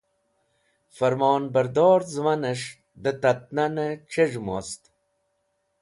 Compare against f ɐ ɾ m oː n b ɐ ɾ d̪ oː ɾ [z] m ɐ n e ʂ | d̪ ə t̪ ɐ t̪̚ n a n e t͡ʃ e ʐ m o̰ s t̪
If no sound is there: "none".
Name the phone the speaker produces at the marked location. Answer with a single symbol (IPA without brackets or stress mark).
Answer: z